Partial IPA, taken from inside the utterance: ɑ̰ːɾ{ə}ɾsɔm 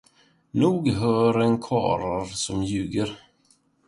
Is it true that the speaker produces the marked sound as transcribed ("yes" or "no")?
no